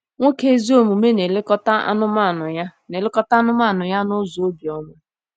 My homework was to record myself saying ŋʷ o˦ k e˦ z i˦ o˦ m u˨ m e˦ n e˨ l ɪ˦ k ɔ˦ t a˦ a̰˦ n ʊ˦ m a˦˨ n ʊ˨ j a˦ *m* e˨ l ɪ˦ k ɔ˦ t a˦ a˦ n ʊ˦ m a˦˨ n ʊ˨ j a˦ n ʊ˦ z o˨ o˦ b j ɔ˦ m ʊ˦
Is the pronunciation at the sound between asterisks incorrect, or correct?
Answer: incorrect